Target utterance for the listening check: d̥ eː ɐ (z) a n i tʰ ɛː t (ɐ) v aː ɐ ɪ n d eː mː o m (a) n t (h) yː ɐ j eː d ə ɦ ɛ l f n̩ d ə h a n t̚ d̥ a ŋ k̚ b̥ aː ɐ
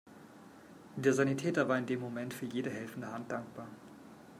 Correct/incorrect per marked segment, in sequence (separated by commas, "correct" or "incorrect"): correct, correct, incorrect, incorrect